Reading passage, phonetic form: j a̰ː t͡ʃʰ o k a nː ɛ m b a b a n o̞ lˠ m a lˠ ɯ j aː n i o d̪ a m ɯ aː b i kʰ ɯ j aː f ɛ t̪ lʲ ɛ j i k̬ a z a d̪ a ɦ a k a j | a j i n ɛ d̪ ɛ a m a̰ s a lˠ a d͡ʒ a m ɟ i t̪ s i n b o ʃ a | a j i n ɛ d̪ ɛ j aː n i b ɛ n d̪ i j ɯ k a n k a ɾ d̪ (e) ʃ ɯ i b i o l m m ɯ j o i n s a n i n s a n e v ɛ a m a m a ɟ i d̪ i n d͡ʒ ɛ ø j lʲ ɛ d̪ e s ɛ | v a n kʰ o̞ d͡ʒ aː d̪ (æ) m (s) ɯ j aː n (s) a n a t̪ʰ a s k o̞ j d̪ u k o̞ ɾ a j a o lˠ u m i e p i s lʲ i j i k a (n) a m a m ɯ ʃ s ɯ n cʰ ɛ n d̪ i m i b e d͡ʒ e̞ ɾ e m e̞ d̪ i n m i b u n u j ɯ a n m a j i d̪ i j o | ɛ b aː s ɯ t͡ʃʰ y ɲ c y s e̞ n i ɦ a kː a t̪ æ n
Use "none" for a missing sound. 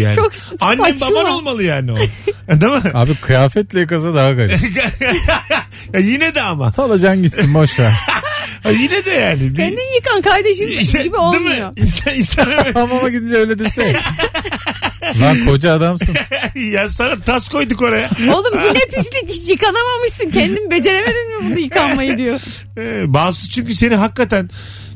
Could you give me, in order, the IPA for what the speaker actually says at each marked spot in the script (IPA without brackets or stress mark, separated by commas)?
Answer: e, a, s, s, n